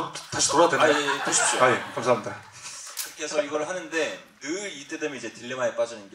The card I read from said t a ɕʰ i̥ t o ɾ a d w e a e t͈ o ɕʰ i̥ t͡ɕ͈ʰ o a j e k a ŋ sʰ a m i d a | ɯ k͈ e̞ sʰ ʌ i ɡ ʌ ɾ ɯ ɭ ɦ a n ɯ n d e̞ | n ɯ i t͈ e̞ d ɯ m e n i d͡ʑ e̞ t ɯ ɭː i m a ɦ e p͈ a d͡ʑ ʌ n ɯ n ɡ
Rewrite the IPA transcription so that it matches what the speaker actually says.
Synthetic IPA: t a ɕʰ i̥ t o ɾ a d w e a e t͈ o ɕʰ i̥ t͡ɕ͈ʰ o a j e k a m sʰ a m i d a | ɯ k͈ e̞ sʰ ʌ i ɡ ʌ ɾ ɯ ɭ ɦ a n ɯ n d e̞ | n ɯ i t͈ e̞ d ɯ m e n i d͡ʑ e̞ t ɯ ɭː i m a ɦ e p͈ a d͡ʑ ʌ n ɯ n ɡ